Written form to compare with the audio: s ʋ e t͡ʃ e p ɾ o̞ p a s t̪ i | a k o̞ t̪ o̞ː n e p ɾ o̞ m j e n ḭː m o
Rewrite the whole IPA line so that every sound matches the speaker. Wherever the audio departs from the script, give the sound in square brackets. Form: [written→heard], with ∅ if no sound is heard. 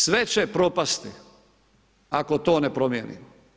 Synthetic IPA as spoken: s ʋ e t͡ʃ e p ɾ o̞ p a s t̪ i | a k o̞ t̪ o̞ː n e p ɾ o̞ m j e n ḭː m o